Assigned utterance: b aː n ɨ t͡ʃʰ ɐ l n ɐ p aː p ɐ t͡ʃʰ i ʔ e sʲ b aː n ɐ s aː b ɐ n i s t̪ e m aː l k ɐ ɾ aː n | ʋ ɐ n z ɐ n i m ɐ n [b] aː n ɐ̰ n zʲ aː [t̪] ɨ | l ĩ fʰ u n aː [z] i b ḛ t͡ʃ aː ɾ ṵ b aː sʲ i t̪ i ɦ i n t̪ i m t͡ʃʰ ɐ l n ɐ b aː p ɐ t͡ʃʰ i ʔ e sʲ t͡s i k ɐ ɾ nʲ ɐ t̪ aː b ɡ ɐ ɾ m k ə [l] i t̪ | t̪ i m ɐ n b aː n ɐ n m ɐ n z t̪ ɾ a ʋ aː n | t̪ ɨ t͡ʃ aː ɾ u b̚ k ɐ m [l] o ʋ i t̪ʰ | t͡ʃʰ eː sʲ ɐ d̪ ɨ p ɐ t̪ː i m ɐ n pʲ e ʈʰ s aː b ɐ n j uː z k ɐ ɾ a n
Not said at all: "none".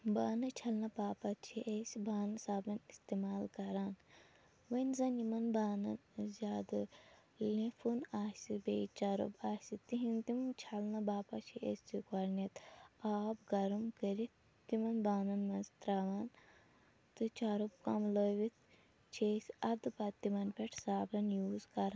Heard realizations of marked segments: b, d̪, s, ɾ, l

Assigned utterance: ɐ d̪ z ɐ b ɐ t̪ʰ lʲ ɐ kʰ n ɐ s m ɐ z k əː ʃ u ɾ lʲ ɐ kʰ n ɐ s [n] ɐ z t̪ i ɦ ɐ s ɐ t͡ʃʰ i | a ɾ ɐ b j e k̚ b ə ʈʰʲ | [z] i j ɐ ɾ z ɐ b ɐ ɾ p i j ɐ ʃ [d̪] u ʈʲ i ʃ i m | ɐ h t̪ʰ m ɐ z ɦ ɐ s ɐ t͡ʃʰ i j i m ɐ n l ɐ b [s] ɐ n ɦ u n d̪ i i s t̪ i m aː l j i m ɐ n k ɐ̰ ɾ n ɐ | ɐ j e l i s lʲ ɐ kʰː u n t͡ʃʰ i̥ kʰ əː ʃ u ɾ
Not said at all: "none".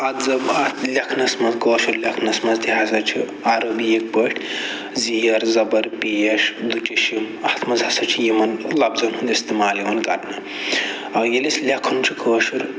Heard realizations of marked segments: m, z, d̪, z

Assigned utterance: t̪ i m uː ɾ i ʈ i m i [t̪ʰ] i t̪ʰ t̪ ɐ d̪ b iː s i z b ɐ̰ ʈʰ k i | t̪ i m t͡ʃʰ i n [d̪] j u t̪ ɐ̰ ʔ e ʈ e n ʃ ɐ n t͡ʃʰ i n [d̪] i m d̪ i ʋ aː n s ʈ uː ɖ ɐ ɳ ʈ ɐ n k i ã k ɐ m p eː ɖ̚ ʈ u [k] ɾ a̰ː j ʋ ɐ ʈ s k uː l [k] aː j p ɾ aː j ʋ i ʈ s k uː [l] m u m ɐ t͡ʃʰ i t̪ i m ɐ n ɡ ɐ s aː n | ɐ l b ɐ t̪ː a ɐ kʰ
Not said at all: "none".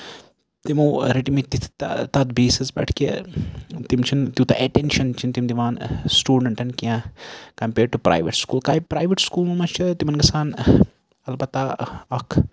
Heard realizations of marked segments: t̪, t̪, t̪, p, k, l

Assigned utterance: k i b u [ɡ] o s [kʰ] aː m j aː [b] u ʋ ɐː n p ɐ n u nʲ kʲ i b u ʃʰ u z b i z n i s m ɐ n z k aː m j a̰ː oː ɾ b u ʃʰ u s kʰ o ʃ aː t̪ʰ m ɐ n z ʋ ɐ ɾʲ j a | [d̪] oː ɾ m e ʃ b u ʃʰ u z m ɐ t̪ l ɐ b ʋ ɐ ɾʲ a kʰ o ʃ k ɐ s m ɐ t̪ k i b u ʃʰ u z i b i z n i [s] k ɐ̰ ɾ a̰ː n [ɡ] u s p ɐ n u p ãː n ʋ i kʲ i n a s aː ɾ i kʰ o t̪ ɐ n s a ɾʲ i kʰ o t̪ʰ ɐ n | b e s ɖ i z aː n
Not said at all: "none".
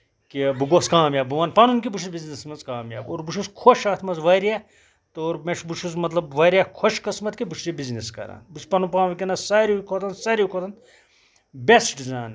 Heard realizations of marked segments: ɡ, k, b, t̪, s, b

